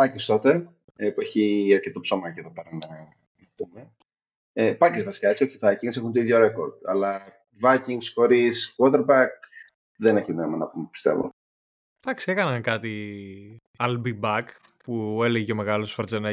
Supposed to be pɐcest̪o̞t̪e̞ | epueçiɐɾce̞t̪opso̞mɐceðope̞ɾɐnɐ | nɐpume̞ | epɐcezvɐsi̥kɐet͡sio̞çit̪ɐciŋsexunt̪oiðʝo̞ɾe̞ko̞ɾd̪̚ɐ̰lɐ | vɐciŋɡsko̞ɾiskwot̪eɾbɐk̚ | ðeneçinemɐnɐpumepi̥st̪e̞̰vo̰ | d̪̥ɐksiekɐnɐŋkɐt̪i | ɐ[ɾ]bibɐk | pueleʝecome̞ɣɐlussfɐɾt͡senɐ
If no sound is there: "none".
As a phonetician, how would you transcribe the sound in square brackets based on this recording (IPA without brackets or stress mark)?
l